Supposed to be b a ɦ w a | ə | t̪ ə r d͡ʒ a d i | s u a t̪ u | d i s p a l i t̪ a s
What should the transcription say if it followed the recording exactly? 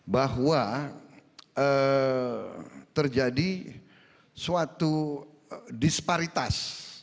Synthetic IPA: b a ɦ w a | ə | t̪ ə r d͡ʒ a d i | s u a t̪ u | d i s p a ɾ i t̪ a s